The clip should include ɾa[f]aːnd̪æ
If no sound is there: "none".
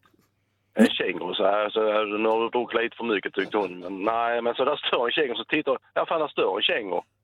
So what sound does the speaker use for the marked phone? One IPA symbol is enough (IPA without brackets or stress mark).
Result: f